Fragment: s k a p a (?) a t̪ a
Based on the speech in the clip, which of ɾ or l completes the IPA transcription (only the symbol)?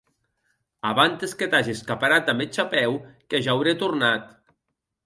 ɾ